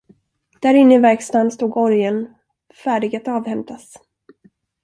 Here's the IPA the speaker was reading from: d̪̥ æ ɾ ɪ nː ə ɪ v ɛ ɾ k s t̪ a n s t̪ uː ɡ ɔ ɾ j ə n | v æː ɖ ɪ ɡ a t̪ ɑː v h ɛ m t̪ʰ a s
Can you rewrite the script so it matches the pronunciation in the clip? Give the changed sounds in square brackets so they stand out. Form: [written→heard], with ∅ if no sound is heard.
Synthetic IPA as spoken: d̪̥ æ ɾ ɪ nː ə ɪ v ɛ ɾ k s t̪ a n s t̪ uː ɡ ɔ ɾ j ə n | [v→f] æː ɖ ɪ ɡ a t̪ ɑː v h ɛ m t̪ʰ a s

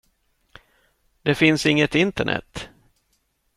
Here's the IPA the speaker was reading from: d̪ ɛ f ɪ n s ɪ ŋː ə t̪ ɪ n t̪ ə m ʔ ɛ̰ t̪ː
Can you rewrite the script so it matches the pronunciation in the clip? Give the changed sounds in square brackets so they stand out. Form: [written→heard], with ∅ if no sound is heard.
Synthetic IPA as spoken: d̪ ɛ f ɪ n s ɪ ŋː ə t̪ ɪ n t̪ ə [m→ɳ] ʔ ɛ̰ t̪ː

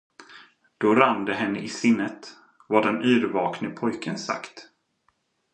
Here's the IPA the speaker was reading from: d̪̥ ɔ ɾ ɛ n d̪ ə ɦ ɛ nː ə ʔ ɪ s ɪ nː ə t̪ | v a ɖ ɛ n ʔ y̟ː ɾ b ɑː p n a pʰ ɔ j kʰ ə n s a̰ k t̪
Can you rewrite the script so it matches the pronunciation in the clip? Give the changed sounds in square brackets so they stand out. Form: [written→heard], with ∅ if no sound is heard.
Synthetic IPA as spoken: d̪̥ ɔ ɾ [ɛ→a] n d̪ ə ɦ ɛ nː ə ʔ ɪ s ɪ nː ə t̪ | v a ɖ ɛ n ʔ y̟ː ɾ [b→v] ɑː [p→k] n [a→ə] pʰ ɔ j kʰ ə n s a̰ k t̪

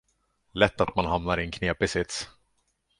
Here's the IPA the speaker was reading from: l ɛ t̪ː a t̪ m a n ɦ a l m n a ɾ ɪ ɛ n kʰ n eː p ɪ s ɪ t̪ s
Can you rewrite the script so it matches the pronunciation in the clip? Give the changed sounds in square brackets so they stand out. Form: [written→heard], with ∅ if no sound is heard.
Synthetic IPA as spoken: l ɛ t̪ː a t̪ m a n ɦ a [l→∅] m n a ɾ ɪ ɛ n kʰ n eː p ɪ s ɪ t̪ s

